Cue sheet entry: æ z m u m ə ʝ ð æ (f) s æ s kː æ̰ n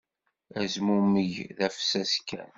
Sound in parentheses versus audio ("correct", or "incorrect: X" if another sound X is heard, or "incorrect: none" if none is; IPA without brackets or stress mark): correct